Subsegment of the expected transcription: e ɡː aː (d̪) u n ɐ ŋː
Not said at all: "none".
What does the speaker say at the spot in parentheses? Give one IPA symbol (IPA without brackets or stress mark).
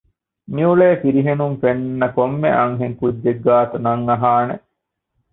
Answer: t̪